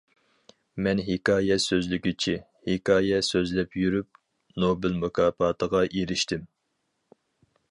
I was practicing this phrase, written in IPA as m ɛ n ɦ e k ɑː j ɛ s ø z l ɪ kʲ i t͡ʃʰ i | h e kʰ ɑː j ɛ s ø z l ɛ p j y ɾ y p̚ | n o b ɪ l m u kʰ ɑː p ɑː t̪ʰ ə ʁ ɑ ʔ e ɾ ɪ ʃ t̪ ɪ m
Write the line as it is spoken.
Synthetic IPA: m ɛ n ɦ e k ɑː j ɛ s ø z l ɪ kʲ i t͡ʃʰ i | h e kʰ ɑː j ɛ s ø z l ɛ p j y ɾ y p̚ | n o b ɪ l m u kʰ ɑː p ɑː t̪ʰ ə ʁ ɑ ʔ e ɾ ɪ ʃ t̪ ɪ m